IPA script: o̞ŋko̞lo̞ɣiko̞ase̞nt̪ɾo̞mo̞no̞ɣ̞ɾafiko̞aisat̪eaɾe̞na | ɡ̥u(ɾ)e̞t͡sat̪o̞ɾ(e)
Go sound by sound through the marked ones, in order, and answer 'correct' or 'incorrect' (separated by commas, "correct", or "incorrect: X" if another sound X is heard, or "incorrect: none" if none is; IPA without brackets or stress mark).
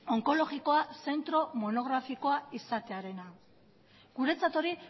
correct, incorrect: i